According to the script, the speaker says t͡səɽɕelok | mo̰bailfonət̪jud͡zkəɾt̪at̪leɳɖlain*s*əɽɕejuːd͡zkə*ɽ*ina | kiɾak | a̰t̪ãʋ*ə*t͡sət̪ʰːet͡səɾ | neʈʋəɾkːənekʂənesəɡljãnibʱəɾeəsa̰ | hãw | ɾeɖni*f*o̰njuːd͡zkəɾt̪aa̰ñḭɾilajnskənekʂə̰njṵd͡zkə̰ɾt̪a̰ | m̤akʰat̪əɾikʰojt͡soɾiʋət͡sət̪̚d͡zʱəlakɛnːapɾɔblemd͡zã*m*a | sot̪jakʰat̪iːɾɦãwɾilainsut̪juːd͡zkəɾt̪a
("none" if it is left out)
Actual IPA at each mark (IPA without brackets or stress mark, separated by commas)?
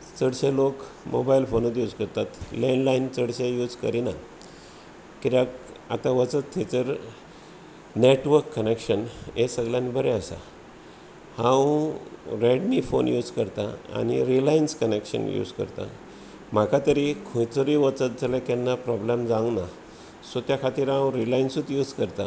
t͡s, ɾ, ə, f, n